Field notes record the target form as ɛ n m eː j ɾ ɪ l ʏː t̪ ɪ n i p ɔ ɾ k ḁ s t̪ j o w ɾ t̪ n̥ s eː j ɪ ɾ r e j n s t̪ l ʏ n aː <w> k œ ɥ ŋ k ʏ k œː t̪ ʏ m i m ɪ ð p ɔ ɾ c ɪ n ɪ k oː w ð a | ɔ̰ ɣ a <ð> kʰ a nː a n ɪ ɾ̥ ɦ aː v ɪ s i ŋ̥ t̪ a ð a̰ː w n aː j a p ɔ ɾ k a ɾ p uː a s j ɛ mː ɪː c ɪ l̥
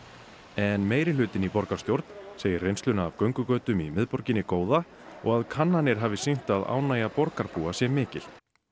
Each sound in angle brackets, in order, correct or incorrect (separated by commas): incorrect, correct